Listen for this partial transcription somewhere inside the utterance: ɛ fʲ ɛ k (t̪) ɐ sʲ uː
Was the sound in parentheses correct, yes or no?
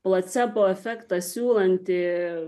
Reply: yes